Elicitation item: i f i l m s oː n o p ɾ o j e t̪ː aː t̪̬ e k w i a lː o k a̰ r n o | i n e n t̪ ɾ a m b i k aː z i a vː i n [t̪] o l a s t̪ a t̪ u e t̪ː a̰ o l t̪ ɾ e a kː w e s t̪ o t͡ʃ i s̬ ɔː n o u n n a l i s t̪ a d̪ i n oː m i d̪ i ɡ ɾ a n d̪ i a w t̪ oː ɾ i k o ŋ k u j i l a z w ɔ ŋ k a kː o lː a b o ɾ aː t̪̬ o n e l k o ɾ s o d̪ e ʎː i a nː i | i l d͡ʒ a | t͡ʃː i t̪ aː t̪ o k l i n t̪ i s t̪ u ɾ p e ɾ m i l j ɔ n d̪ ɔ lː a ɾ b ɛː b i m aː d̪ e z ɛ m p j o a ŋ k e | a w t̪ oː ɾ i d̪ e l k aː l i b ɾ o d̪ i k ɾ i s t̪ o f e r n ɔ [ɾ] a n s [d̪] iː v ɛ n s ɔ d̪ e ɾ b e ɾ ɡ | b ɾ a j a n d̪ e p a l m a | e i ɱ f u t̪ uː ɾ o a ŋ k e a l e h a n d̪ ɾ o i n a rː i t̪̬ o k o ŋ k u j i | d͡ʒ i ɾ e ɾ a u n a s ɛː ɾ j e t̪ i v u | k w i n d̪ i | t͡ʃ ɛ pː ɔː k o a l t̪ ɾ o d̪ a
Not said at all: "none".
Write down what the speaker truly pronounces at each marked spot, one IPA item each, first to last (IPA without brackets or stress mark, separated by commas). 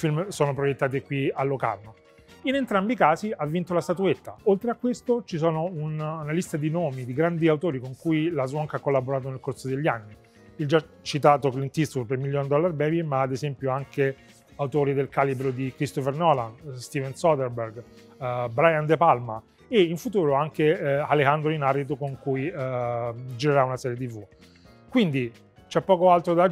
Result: t̪, l, t̪